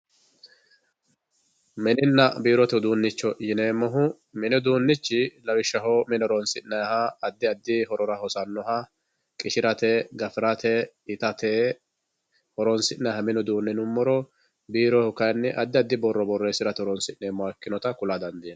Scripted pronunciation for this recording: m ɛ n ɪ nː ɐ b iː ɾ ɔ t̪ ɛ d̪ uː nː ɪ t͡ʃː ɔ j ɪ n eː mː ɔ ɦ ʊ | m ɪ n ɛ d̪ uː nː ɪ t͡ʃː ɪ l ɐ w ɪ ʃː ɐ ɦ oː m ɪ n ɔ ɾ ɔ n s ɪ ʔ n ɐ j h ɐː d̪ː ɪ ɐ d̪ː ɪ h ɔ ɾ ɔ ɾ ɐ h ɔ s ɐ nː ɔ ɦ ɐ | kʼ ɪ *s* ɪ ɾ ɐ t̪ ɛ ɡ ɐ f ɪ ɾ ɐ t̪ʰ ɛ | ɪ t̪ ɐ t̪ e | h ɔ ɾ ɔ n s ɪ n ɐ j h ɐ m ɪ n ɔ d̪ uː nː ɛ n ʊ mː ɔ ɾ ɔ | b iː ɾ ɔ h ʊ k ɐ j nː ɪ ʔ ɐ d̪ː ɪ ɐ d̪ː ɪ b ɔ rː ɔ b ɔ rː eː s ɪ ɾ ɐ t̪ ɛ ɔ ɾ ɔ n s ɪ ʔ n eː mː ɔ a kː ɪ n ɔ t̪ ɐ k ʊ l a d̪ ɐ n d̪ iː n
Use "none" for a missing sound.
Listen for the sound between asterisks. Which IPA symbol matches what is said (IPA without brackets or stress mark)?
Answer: ʃ